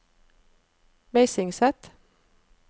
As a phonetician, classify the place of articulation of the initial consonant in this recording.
labial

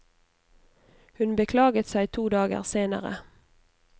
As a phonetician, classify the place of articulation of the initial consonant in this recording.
glottal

